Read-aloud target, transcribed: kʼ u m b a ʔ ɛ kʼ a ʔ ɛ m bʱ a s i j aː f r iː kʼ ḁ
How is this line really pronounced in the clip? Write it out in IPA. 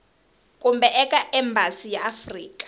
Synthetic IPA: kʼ u m b ɛ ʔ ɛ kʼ a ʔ ɛ m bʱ a s i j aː f r iː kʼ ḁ